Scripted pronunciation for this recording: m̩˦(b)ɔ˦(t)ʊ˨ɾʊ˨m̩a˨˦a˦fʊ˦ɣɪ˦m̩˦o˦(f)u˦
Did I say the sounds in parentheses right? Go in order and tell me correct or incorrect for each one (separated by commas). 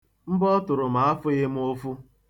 correct, correct, correct